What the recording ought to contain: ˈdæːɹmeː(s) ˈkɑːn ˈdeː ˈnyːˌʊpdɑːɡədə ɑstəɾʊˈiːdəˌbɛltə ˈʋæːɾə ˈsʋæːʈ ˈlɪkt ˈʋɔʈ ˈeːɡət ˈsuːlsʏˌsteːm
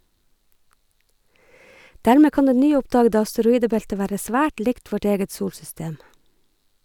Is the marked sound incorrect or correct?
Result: incorrect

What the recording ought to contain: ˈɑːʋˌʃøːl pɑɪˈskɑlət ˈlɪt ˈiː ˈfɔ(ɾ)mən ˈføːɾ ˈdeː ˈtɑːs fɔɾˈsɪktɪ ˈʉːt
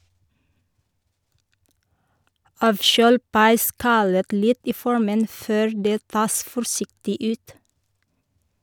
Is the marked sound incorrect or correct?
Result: incorrect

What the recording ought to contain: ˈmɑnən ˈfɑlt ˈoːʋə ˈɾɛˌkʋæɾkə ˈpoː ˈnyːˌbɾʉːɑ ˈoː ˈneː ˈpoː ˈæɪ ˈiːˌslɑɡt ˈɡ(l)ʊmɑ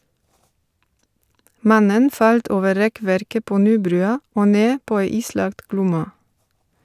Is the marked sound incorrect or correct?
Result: correct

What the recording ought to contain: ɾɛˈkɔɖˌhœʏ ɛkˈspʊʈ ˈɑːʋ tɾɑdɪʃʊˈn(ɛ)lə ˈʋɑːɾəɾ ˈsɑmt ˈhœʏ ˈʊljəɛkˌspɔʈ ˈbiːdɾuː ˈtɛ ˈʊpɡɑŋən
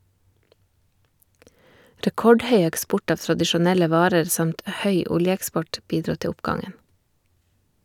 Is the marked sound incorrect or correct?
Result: correct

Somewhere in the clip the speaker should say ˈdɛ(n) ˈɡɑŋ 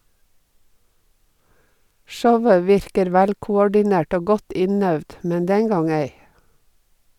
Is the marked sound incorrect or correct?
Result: incorrect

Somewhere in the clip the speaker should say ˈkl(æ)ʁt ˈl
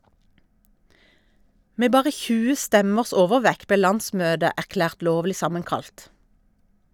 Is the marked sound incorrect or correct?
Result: incorrect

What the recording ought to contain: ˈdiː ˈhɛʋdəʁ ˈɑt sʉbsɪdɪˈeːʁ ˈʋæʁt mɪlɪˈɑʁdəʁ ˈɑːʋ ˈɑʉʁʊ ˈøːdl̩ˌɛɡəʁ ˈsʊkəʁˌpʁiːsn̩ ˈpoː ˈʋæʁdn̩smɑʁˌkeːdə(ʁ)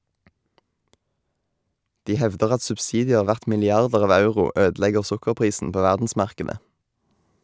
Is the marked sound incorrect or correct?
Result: incorrect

